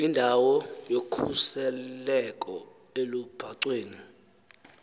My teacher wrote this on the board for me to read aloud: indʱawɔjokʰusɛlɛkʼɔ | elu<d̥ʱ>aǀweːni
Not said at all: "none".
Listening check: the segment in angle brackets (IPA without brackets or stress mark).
b̥ʱ